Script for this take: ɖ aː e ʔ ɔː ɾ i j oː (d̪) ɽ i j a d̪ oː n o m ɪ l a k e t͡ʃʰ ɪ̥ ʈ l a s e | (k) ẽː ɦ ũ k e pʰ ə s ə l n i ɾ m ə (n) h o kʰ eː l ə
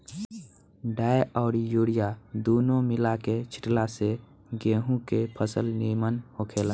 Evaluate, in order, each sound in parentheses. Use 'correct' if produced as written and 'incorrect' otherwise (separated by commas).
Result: incorrect, incorrect, correct